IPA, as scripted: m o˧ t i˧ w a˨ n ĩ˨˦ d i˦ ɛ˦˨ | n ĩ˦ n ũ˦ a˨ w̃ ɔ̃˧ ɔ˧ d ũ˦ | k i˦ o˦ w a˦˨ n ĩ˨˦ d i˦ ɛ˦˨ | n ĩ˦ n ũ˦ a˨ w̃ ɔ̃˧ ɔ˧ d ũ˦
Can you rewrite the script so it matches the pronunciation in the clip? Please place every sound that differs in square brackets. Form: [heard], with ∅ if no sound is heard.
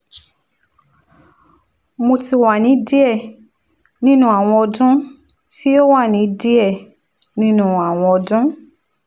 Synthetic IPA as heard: m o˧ t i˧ w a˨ n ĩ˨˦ d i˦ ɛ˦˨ | n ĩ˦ n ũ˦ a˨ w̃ ɔ̃˧ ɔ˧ d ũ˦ | [t] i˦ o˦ w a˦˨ n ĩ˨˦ d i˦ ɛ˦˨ | n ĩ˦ n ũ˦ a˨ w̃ ɔ̃˧ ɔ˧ d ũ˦